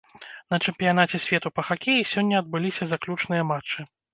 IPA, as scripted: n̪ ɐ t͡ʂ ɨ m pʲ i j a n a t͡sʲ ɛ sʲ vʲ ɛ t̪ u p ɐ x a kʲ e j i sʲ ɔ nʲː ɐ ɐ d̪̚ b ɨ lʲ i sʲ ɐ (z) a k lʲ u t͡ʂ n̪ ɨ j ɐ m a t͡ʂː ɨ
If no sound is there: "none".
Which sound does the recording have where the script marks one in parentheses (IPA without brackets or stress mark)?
z